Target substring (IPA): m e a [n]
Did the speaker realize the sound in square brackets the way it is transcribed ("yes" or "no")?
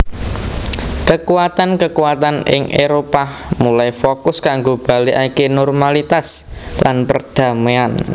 yes